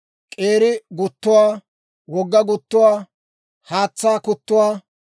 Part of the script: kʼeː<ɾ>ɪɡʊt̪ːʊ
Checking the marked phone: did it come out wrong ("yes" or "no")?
no